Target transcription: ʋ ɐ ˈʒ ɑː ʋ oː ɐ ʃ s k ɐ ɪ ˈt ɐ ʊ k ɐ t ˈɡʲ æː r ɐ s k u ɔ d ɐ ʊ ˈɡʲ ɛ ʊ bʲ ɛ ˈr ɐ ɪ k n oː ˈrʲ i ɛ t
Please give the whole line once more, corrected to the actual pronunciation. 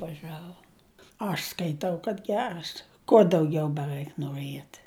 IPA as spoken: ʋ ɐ ˈʒ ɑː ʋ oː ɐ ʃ s k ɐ ɪ ˈt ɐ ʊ k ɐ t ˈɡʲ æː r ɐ s k u ɔ d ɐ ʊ ˈɡʲ ɛ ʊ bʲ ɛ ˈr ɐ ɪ k n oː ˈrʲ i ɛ t